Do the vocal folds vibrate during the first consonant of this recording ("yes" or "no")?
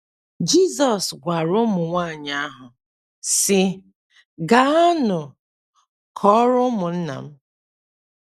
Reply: yes